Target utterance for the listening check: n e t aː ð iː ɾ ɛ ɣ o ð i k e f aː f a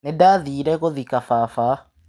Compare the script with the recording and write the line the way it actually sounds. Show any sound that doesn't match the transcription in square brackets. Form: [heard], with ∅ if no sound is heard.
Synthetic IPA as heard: n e [d] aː ð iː ɾ ɛ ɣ o ð i k [a] f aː f a